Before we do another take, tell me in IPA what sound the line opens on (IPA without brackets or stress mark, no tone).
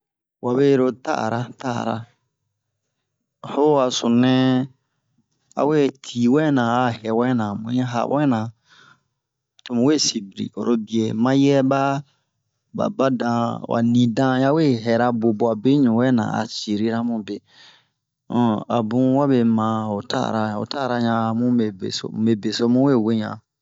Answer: w